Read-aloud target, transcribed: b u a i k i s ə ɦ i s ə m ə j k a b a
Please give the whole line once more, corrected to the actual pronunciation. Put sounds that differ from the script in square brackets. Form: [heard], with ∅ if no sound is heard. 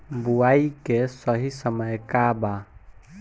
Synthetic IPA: b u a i k [e] s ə ɦ i s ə m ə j k a b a